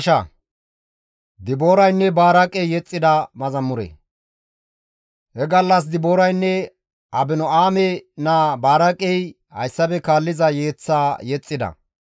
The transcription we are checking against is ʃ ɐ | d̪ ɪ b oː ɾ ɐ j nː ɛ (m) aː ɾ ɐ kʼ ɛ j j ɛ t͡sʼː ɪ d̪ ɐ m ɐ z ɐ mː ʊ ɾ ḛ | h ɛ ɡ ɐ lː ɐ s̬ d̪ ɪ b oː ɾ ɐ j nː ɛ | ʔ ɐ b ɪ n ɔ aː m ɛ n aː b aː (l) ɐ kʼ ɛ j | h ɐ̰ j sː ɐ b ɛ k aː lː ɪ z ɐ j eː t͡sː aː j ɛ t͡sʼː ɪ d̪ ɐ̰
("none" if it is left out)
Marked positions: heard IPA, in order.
b, ɾ

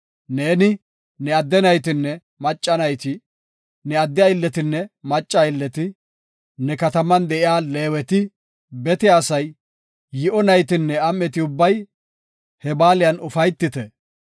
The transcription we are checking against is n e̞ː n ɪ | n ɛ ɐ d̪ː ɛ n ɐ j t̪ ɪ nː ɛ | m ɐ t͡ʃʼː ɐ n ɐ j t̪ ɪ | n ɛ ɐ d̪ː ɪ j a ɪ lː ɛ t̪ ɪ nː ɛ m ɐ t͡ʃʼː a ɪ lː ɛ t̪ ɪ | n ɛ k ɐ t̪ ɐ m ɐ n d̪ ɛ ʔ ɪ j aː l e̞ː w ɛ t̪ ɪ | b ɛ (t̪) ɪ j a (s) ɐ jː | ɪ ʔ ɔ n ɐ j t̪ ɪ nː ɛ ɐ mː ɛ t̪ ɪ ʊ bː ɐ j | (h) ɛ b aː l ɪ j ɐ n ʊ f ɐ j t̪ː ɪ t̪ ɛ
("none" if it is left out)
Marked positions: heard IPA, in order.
t̪, s, h

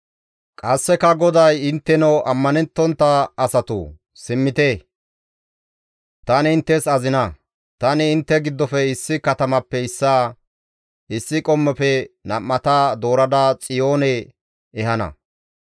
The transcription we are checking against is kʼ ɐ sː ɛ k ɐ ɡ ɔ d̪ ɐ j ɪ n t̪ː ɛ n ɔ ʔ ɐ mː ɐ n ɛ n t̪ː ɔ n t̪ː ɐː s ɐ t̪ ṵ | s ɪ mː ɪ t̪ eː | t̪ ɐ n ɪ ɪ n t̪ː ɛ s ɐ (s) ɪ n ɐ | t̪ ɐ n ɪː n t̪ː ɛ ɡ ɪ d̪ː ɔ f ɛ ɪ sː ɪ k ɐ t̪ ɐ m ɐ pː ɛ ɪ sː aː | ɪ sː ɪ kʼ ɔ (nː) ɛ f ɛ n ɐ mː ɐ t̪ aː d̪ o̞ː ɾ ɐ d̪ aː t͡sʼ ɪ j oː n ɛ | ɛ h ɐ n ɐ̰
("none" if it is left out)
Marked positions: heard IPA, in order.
z, mː

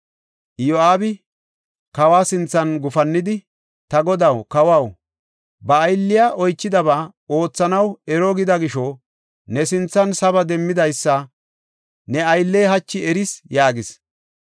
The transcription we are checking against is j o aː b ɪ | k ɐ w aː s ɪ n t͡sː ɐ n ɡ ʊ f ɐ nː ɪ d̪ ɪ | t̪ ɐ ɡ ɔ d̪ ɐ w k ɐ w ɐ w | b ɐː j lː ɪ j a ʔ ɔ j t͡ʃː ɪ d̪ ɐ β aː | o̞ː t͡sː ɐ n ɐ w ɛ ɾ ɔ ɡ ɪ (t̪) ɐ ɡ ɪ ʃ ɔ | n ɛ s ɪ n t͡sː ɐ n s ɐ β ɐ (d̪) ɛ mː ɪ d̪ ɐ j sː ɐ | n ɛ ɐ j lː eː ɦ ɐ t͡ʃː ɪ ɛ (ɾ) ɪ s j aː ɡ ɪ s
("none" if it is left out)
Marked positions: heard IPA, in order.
d̪, d̪, ɾ

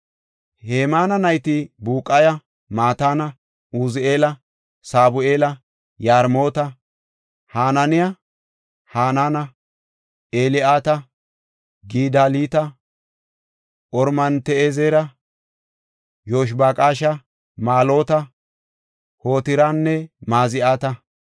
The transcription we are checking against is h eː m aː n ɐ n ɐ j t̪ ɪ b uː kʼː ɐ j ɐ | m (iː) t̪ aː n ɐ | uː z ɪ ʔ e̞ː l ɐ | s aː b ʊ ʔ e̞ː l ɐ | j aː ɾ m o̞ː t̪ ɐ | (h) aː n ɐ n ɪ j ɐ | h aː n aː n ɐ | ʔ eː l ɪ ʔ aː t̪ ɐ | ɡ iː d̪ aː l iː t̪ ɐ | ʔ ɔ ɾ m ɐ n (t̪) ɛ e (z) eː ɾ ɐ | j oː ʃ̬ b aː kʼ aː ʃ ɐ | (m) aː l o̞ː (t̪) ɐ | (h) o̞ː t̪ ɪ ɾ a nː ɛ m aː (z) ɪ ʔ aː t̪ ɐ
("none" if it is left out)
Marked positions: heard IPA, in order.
aː, h, t̪, z, m, t̪, h, z

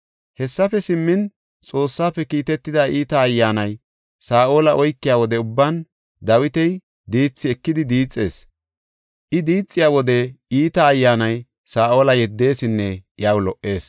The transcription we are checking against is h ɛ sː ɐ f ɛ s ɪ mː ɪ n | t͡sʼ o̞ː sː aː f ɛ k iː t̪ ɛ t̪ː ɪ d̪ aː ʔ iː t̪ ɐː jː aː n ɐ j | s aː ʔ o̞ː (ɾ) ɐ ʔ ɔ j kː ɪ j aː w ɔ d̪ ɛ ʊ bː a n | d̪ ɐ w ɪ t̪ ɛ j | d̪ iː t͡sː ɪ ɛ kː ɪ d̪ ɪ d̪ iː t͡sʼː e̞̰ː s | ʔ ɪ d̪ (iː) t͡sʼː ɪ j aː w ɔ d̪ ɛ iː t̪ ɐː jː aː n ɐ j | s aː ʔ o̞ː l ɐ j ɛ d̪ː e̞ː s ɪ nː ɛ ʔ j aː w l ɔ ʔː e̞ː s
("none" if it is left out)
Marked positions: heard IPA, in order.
l, iː

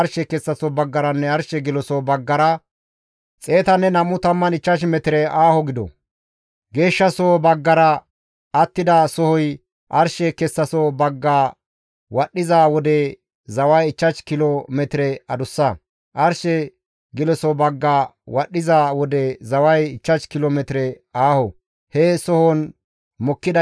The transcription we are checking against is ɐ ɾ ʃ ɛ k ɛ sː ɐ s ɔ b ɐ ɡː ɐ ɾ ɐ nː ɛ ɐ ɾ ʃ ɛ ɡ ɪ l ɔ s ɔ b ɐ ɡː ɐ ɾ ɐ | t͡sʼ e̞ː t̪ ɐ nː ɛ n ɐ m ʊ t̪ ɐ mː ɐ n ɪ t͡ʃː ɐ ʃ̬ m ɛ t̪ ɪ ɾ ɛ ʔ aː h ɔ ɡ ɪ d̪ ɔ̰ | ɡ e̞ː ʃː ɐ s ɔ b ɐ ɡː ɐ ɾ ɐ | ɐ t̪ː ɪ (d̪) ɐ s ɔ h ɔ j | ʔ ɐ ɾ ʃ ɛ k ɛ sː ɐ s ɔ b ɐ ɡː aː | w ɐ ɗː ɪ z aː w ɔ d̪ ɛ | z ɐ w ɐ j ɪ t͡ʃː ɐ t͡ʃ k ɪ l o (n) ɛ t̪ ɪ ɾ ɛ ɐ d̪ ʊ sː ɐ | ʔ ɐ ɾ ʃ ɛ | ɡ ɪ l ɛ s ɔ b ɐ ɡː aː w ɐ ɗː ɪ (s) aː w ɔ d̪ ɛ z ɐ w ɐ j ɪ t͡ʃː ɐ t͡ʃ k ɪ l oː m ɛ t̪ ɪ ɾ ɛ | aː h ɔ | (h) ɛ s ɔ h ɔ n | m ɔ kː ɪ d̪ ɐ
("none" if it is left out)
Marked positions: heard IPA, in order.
d̪, m, z, h

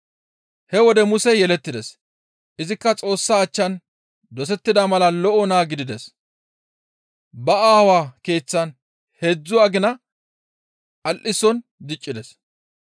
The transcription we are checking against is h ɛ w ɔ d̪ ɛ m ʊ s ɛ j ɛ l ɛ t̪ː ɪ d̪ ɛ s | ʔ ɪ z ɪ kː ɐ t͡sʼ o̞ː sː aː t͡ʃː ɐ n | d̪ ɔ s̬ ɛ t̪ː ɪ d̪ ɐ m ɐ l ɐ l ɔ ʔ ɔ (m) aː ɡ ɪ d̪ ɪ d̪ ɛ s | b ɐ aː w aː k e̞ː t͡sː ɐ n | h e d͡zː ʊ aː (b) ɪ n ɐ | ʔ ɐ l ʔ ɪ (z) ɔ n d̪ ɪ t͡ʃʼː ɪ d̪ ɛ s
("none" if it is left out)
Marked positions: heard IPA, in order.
n, ɡ, s

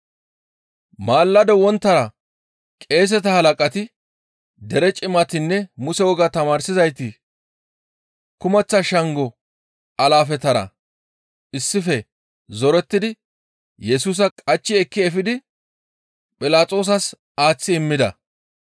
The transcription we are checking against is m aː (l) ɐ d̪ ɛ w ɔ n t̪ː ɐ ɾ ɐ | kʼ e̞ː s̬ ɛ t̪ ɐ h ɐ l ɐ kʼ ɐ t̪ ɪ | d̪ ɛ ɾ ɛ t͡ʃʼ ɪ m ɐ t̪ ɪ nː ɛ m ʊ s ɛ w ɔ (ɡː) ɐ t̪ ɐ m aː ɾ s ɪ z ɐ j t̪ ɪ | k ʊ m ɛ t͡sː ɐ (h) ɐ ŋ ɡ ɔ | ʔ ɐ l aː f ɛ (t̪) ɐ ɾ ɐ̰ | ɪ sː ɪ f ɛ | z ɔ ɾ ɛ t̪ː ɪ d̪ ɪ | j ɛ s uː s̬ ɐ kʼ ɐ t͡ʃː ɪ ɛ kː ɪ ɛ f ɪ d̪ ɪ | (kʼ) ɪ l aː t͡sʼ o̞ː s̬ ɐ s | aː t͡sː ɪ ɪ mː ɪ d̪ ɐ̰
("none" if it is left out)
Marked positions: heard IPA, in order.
lː, ɡ, ʃ, t̪, pʼ

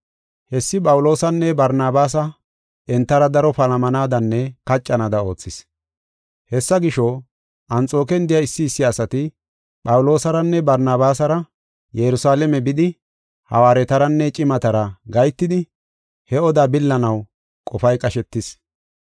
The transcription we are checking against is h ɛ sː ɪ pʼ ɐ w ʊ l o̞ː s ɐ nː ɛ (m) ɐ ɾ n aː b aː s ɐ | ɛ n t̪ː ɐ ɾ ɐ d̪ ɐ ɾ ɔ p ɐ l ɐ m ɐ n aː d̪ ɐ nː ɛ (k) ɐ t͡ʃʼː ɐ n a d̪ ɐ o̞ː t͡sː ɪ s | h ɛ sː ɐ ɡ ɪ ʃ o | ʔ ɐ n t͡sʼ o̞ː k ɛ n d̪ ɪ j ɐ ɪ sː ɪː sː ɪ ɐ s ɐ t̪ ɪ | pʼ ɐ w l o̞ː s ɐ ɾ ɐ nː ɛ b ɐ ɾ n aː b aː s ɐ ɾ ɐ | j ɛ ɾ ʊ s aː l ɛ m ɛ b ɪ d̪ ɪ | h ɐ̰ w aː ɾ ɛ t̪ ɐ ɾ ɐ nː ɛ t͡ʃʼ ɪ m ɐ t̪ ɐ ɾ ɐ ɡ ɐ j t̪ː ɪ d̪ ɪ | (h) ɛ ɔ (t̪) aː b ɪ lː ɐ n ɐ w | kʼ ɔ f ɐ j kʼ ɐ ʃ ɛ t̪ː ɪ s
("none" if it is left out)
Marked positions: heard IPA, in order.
b, k, h, d̪

